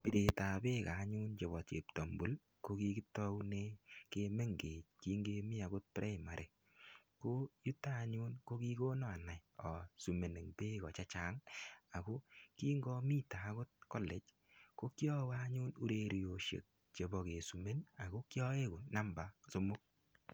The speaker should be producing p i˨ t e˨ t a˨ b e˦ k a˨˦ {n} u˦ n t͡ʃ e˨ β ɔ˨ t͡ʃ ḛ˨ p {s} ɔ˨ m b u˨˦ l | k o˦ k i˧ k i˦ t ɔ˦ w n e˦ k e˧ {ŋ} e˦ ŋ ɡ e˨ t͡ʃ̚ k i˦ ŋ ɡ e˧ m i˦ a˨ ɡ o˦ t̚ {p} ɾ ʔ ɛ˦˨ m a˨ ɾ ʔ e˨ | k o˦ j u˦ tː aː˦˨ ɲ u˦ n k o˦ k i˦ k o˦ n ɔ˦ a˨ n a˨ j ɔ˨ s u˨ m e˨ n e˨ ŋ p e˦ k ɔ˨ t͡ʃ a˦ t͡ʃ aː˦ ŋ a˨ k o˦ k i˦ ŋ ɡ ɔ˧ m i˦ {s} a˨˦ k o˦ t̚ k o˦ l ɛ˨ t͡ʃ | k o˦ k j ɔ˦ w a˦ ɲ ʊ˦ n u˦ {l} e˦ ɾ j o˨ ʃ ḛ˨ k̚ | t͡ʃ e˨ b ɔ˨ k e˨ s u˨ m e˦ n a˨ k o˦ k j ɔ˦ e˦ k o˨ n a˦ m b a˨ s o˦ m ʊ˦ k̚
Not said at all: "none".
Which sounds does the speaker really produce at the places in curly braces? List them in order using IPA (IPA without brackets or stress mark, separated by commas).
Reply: ɲ, t, m, p, t, ɾ